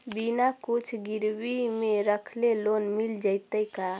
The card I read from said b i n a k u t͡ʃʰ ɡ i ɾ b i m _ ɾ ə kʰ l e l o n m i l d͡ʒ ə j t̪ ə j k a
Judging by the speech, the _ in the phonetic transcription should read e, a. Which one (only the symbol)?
e